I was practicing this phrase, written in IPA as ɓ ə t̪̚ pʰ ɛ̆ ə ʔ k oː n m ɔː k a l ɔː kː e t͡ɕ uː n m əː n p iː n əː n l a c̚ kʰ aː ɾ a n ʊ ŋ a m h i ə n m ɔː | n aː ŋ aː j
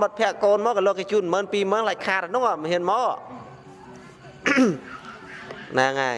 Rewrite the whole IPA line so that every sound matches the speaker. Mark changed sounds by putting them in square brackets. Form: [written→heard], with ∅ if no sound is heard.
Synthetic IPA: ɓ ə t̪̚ pʰ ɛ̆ ə ʔ k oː n m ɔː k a l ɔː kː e t͡ɕ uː n m əː n p iː [n→m] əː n l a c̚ kʰ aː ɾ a n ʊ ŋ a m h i ə n m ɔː | n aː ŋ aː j